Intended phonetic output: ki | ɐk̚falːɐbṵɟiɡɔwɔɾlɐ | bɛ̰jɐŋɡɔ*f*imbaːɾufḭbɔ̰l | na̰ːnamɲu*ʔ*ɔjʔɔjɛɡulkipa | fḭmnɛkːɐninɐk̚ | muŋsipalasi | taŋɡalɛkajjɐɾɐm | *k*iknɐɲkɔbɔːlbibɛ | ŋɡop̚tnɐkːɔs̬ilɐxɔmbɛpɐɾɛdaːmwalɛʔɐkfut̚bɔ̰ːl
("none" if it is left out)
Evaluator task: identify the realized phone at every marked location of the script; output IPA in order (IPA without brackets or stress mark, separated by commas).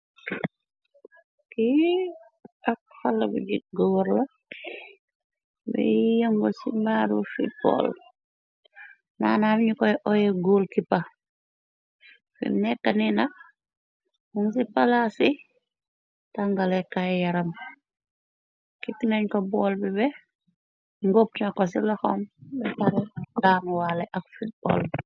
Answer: s, k, k